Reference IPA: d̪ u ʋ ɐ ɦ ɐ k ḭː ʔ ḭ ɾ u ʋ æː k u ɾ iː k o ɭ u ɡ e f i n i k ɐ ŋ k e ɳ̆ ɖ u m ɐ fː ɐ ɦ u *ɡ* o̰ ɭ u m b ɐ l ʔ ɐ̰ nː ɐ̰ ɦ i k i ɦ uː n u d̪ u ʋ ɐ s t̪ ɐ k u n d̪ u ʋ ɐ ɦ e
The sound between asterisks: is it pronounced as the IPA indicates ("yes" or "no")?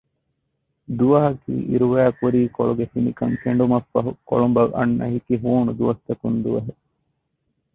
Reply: no